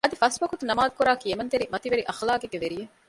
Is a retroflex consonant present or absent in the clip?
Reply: absent